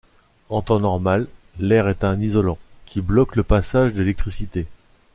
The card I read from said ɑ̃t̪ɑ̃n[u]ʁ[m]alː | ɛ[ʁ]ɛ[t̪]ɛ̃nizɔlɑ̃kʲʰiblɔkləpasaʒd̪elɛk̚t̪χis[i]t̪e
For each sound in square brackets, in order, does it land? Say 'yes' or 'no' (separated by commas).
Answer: no, yes, yes, yes, yes